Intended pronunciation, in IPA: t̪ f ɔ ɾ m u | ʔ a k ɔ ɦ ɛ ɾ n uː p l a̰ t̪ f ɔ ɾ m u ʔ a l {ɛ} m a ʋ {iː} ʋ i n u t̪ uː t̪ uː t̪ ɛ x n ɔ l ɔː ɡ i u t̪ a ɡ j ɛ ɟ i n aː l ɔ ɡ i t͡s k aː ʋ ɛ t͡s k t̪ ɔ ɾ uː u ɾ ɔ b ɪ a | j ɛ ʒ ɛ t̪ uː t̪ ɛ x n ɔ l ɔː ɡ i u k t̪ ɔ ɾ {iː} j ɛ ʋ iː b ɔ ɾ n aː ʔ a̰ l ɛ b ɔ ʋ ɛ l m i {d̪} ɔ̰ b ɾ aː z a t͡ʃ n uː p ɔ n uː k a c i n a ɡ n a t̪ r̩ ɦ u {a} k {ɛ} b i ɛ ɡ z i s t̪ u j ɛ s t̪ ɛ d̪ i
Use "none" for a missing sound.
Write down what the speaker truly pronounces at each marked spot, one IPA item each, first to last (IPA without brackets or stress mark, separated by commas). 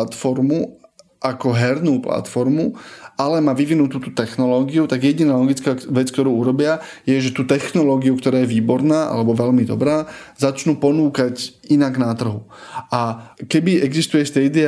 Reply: ɛ, i, aː, d̪, a, ɛ